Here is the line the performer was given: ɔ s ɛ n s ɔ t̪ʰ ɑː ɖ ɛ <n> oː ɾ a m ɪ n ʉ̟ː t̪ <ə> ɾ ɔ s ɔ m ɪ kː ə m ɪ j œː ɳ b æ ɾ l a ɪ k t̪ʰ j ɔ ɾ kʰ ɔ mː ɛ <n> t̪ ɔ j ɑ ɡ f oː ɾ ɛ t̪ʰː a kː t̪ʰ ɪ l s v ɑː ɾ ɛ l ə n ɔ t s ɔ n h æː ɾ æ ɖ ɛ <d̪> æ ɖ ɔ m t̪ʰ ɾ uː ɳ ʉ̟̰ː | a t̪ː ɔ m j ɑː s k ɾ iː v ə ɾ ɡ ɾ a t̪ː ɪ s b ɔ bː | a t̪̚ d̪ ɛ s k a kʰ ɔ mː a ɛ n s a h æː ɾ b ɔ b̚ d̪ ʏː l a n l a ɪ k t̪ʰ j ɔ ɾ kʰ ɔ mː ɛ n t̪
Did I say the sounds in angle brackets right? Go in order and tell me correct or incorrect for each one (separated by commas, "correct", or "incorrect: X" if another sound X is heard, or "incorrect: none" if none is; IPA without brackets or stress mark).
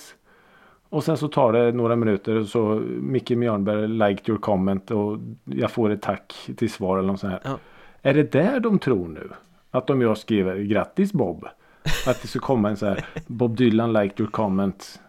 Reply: correct, correct, correct, correct